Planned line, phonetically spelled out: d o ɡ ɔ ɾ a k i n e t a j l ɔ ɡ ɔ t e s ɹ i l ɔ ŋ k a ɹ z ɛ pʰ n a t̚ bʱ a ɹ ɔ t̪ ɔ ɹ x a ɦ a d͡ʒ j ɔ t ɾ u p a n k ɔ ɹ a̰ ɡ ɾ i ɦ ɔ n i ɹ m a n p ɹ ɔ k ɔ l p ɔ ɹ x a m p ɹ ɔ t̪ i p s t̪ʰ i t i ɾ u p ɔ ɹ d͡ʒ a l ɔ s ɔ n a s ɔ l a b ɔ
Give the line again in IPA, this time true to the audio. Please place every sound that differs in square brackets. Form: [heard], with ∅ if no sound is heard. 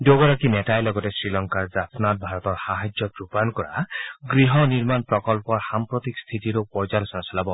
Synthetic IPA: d o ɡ ɔ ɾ a k i n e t a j l ɔ ɡ ɔ t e s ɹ i l ɔ ŋ k a ɹ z [a] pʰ n a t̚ bʱ a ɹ ɔ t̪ ɔ ɹ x a ɦ a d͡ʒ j ɔ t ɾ u p a n k ɔ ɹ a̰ ɡ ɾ i ɦ ɔ n i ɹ m a n p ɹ ɔ k ɔ l p ɔ ɹ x a m p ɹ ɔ t̪ i [k] s t̪ʰ i t i ɾ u p ɔ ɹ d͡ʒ a l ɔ s ɔ n a s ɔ l a b ɔ